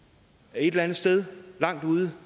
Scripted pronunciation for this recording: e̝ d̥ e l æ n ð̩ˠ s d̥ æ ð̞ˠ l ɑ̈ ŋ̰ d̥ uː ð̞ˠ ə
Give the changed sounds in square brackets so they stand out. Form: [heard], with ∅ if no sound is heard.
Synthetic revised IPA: e̝ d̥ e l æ n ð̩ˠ s d̥ [e] ð̞ˠ l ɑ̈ ŋ̰ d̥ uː ð̞ˠ ə